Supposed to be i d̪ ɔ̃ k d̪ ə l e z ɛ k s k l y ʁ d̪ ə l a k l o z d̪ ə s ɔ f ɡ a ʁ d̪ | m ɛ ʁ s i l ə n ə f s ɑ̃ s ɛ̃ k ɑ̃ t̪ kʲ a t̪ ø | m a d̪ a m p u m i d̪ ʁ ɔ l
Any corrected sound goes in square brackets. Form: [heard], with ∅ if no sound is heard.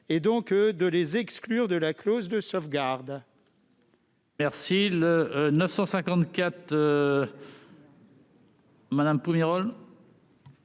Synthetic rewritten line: [e] d̪ ɔ̃ k d̪ ə l e z ɛ k s k l y ʁ d̪ ə l a k l o z d̪ ə s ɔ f ɡ a ʁ d̪ | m ɛ ʁ s i l ə n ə f s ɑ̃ s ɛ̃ k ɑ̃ t̪ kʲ a t̪ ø | m a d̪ a m p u m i [∅] ʁ ɔ l

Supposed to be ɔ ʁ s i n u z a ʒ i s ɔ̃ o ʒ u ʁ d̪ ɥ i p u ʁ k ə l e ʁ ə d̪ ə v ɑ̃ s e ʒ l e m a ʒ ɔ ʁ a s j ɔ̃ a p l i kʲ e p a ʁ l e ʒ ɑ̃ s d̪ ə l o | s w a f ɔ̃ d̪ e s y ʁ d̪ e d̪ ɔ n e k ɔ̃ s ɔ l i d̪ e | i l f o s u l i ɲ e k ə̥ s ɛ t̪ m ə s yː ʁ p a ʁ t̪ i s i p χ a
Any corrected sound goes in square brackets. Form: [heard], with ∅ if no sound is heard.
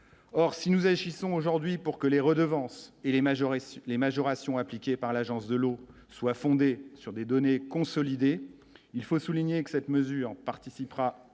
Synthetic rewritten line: ɔ ʁ s i n u z a ʒ i s ɔ̃ o ʒ u ʁ d̪ ɥ i p u ʁ k ə l e ʁ ə d̪ ə v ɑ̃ s e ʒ l e m a ʒ ɔ ʁ a s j ɔ̃ a p l i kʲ e p a ʁ l [a] ʒ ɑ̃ s d̪ ə l o | s w a f ɔ̃ d̪ e s y ʁ d̪ e d̪ ɔ n e k ɔ̃ s ɔ l i d̪ e | i l f o s u l i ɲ e k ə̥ s ɛ t̪ m ə [z] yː ʁ p a ʁ t̪ i s i p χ a

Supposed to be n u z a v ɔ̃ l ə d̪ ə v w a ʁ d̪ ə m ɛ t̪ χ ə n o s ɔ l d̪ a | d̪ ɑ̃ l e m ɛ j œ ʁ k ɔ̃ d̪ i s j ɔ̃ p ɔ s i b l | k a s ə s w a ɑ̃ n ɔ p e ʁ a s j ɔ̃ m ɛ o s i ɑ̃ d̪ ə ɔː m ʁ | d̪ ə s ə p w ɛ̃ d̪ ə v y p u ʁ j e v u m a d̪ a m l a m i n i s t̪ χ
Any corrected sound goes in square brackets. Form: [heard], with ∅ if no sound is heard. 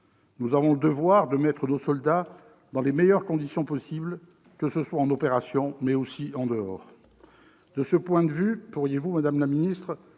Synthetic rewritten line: n u z a v ɔ̃ l ə d̪ ə v w a ʁ d̪ ə m ɛ t̪ χ ə n o s ɔ l d̪ a | d̪ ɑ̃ l e m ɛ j œ ʁ k ɔ̃ d̪ i s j ɔ̃ p ɔ s i b l | k [ə] s ə s w a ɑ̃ n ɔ p e ʁ a s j ɔ̃ m ɛ o s i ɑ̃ d̪ ə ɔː [∅] ʁ | d̪ ə s ə p w ɛ̃ d̪ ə v y p u ʁ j e v u m a d̪ a m l a m i n i s t̪ χ

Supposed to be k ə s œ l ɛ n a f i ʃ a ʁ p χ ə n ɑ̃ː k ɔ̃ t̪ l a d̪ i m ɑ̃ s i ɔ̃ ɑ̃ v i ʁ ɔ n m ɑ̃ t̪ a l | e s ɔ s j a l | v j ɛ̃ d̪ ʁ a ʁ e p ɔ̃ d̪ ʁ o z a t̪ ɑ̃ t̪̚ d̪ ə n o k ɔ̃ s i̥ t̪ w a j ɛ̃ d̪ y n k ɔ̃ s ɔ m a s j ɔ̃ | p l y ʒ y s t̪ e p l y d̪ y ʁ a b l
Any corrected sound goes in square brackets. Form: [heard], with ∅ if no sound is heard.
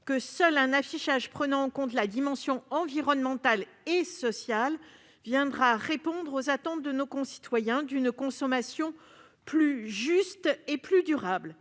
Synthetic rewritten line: k ə s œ l [ɛ̃] n a f i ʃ a [ʒ] p χ ə n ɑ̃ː k ɔ̃ t̪ l a d̪ i m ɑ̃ s [j] ɔ̃ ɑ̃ v i ʁ ɔ n m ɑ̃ t̪ a l | e s ɔ s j a l | v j ɛ̃ d̪ ʁ a ʁ e p ɔ̃ d̪ ʁ o z a t̪ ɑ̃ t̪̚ d̪ ə n o k ɔ̃ s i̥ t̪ w a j ɛ̃ d̪ y n k ɔ̃ s ɔ m a s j ɔ̃ | p l y ʒ y s t̪ e p l y d̪ y ʁ a b l

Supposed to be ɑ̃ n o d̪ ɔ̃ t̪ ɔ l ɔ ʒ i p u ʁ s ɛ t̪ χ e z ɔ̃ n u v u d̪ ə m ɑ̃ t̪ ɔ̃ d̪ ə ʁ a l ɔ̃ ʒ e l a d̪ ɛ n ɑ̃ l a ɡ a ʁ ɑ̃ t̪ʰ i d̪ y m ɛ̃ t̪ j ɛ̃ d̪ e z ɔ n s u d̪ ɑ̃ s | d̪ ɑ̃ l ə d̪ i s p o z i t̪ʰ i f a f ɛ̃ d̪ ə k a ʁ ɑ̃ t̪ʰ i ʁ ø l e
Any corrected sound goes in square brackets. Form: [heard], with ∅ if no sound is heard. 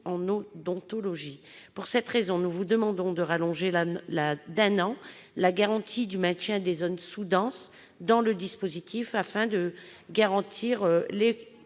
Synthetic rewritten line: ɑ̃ n o d̪ ɔ̃ t̪ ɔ l ɔ ʒ i p u ʁ s ɛ t̪ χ e z ɔ̃ n u v u d̪ ə m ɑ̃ [d̪] ɔ̃ d̪ ə ʁ a l ɔ̃ ʒ e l a d̪ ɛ n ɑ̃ l a ɡ a ʁ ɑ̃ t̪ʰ i d̪ y m ɛ̃ t̪ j ɛ̃ d̪ e z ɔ n s u d̪ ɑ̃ s | d̪ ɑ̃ l ə d̪ i s p o z i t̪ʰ i f a f ɛ̃ d̪ ə [ɡ] a ʁ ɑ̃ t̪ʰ i ʁ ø l e

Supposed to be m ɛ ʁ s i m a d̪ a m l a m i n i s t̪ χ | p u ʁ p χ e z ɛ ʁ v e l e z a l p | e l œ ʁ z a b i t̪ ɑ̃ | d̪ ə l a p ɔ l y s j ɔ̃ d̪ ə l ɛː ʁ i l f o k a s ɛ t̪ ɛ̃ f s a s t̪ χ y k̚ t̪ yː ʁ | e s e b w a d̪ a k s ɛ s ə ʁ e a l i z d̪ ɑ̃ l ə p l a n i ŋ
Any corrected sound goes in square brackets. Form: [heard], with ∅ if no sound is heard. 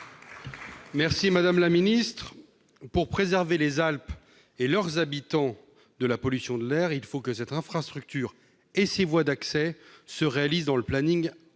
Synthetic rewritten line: m ɛ ʁ s i m a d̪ a m l a m i n i s t̪ χ | p u ʁ p χ e z ɛ ʁ v e l e z a l p | e l œ ʁ z a b i t̪ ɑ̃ | d̪ ə l a p ɔ l y s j ɔ̃ d̪ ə l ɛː ʁ i l f o k [ə] s ɛ t̪ ɛ̃ f [χ] a s t̪ χ y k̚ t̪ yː ʁ | e s e [v] w a d̪ a k s ɛ s ə ʁ e a l i z d̪ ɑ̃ l ə p l a n i ŋ

